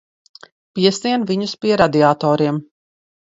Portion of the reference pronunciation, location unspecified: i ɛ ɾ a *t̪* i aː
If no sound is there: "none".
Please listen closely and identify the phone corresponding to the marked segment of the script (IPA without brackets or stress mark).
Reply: d̪